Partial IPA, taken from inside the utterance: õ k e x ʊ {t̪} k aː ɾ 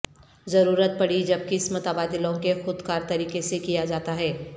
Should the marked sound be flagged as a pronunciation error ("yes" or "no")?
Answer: yes